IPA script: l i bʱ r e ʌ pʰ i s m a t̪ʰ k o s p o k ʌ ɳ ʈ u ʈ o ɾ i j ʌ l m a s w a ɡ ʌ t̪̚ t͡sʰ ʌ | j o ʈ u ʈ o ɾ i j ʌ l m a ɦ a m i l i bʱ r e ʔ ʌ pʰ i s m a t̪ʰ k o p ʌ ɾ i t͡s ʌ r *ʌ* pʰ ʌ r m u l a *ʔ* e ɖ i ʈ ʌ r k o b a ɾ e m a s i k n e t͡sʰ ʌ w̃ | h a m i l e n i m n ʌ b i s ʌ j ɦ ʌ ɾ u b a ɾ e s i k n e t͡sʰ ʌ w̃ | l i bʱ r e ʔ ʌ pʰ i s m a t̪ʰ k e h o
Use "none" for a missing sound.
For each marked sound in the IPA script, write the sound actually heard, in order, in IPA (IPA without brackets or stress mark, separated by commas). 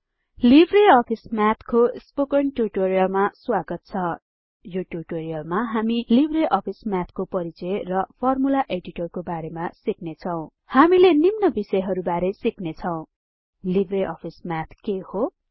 ʌ, ʔ